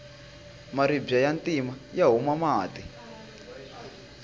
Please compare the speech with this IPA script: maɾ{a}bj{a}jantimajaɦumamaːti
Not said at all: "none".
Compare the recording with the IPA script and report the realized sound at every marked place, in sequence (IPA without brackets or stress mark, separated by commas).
i, a